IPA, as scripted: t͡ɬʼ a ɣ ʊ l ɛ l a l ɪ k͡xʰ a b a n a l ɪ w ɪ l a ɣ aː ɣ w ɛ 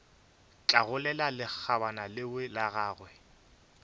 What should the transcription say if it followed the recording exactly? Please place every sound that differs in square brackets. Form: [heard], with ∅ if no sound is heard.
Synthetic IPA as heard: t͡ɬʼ a ɣ ʊ l ɛ l a l ɪ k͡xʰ a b a n a l ɪ w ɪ l a ɣ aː ɣ w ɛ